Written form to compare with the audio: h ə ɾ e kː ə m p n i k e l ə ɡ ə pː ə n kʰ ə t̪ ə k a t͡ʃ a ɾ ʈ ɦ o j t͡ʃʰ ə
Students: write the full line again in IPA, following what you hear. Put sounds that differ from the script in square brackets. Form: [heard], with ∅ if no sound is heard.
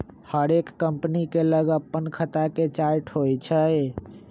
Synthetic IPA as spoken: h ə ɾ e kː ə m p n i k e l ə ɡ ə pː ə n kʰ ə t̪ [a] k [e] t͡ʃ a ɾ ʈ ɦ o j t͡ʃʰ ə